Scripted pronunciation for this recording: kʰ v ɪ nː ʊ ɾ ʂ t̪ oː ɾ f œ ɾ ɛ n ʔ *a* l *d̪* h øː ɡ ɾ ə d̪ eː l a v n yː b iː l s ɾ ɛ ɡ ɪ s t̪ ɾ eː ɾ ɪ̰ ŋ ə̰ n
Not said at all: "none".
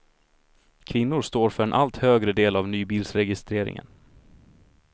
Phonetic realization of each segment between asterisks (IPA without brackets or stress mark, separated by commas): a, t̪